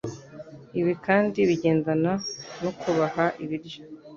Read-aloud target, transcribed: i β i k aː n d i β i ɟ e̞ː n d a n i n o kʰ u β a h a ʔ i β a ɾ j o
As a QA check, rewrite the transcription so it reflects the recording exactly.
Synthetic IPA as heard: i β i k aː n d i β i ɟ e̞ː n d a n a n o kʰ u β a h a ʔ i β i ɾ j o

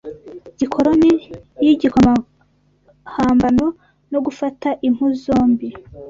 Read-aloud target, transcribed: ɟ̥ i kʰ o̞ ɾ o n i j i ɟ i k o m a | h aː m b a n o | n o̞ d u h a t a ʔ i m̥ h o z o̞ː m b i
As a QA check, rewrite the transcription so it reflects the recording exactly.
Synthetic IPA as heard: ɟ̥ i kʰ o̞ ɾ o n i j i ɟ i k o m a | h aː m b a n o | n o̞ ɡ u f a t a ʔ i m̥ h u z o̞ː m b i

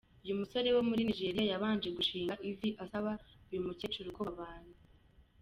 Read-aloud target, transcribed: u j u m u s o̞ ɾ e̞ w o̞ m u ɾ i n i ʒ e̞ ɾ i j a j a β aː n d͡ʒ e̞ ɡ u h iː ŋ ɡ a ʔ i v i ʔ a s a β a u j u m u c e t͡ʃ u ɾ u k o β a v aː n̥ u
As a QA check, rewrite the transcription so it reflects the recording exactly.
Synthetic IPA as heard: u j u m u s o̞ ɾ e̞ w o̞ m u ɾ i n i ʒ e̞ ɾ i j a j a β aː n d͡ʒ e̞ ɡ u ʃ iː ŋ ɡ a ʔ i v i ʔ a s a β a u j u m u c e t͡ʃ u ɾ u k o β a β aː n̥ u

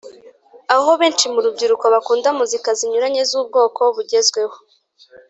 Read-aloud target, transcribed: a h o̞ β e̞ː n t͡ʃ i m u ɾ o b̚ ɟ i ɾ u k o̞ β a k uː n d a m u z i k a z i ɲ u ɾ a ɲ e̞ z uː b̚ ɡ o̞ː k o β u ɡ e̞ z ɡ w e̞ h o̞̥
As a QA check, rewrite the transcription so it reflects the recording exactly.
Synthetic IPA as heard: a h o̞ β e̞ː n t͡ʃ i m u ɾ u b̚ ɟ i ɾ u k o̞ β a k uː n d a m u z i k a z i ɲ u ɾ a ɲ e̞ z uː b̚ ɡ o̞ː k o β u ɟ e̞ z ɡ w e̞ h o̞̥

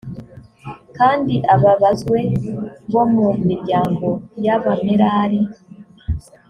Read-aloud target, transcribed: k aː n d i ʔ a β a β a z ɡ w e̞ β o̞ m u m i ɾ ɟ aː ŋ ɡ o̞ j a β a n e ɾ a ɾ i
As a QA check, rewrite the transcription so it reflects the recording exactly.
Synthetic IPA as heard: k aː n d i ʔ a β a β a z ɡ w e̞ β o̞ m u m i ɾ ɟ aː ŋ ɡ o̞ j a β a m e ɾ a ɾ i

